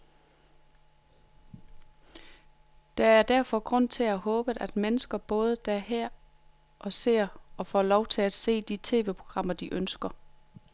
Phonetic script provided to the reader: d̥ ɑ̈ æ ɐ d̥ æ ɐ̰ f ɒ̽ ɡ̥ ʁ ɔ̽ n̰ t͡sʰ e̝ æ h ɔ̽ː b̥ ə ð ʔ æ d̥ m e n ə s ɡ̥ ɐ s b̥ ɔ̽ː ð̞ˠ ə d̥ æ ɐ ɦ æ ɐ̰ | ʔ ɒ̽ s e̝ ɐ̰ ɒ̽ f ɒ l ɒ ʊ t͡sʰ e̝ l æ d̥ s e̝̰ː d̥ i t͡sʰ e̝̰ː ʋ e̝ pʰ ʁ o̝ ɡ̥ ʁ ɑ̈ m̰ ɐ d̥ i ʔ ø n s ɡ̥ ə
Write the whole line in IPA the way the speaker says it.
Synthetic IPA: d̥ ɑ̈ æ ɐ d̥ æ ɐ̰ f ɒ̽ ɡ̥ ʁ ɔ̽ n̰ t͡sʰ e̝ æ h ɔ̽ː b̥ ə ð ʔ æ d̥ m e n ə s ɡ̥ ɐ b̥ ɔ̽ː ð̞ˠ ə d̥ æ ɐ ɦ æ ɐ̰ | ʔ ɒ̽ s e̝ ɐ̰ ɒ̽ f ɒ l ɒ ʊ t͡sʰ e̝ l æ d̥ s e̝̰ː d̥ i t͡sʰ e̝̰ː ʋ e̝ pʰ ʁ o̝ ɡ̥ ʁ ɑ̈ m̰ ɐ d̥ i ʔ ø n s ɡ̥ ɐ